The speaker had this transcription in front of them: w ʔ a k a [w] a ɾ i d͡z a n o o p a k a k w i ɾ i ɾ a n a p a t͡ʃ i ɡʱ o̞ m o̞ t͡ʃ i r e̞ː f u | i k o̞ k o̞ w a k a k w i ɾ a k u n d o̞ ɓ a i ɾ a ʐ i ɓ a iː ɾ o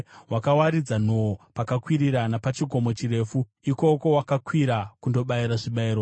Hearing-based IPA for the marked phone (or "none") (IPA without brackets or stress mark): w